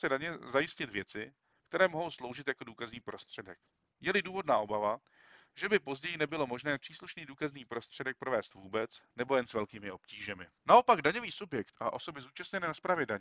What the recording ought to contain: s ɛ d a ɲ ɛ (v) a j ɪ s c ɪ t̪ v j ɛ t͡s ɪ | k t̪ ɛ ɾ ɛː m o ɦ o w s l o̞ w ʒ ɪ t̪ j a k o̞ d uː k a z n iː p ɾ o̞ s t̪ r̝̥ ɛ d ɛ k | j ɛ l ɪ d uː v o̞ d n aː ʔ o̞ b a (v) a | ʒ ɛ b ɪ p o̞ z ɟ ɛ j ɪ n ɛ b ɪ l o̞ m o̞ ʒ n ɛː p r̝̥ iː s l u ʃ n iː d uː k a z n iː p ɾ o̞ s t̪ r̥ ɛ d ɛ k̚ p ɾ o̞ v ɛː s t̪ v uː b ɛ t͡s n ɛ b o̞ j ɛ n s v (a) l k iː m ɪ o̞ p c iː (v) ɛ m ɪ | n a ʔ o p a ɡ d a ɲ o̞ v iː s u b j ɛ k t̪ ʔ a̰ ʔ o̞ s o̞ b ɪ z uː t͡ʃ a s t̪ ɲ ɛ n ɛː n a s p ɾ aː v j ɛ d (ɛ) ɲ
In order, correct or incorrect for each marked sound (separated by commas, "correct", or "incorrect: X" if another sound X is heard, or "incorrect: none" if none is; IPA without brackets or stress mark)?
incorrect: z, correct, incorrect: ɛ, incorrect: ʒ, incorrect: a